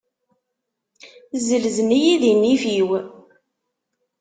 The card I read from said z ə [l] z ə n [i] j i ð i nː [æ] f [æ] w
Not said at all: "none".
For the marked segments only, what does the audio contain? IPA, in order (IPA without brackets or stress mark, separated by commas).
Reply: l, i, i, i